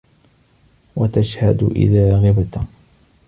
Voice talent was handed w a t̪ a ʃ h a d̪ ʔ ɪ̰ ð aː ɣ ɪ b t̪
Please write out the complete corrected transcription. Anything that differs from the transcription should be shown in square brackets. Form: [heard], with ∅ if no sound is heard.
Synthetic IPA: w a t̪ a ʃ h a d̪ ʔ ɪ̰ ð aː ɣ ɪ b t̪